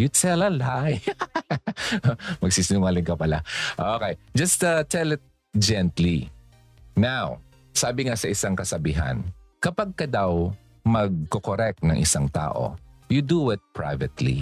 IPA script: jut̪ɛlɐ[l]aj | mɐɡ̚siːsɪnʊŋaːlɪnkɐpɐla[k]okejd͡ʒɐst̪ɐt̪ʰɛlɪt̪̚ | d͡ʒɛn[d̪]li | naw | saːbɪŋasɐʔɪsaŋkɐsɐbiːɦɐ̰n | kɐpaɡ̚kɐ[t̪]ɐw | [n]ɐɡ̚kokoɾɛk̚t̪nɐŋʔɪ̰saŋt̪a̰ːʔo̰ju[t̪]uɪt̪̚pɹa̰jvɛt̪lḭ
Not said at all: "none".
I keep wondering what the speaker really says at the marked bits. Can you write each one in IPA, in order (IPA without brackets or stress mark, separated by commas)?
l, ʔ, t̪, d̪, m, d̪